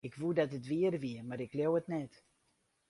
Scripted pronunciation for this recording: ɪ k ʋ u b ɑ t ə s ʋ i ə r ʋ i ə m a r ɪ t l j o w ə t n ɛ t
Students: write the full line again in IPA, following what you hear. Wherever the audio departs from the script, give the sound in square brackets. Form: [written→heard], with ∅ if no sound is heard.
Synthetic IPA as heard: ɪ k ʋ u [b→d] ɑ t ə [s→t] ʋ i ə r ʋ i ə m a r ɪ [t→k] l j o w ə t n ɛ t